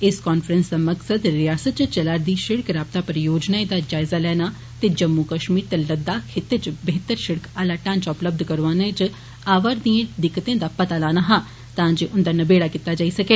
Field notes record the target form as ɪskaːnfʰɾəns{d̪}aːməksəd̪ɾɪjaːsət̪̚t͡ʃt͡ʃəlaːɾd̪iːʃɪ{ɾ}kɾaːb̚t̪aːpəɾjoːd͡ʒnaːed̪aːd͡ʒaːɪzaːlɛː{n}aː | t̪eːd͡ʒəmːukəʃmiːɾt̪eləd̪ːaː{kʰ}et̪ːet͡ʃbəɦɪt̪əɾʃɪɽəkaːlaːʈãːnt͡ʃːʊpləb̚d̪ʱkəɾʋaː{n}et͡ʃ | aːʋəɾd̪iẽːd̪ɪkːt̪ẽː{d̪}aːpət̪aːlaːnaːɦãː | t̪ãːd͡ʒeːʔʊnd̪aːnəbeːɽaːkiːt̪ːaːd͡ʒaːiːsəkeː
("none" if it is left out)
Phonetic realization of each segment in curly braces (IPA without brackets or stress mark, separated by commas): d̪, ɽ, n, kʰ, n, d̪